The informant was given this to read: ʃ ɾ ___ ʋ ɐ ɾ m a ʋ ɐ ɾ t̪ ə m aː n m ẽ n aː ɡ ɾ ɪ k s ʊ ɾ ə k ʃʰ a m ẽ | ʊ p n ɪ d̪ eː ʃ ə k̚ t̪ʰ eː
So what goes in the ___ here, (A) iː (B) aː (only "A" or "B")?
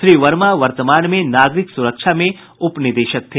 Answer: A